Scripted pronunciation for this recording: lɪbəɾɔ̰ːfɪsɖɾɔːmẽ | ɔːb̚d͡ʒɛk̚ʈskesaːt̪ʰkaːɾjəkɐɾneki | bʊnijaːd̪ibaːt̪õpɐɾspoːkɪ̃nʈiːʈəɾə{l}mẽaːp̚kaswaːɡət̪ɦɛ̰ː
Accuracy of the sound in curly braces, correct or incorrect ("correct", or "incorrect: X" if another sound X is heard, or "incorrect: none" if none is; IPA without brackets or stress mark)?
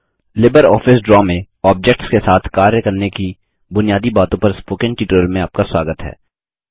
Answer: correct